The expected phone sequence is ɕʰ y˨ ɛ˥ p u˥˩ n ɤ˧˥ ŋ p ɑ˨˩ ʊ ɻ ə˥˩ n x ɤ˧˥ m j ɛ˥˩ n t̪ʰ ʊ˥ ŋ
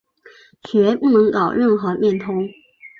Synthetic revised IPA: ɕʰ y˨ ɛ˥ p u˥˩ n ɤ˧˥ ŋ k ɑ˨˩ ʊ ɻ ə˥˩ n x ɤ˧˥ m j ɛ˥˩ n t̪ʰ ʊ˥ ŋ